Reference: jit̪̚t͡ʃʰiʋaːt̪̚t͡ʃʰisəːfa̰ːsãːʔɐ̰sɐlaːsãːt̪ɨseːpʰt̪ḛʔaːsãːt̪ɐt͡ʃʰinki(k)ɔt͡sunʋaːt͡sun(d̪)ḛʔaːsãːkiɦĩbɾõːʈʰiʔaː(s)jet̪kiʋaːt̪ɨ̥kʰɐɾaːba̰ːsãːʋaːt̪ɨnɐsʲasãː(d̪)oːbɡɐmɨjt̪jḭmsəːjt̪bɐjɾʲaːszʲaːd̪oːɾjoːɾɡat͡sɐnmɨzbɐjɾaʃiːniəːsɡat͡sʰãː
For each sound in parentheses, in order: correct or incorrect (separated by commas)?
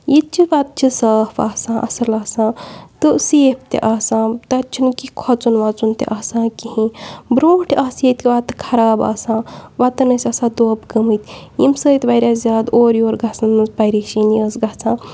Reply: incorrect, incorrect, correct, correct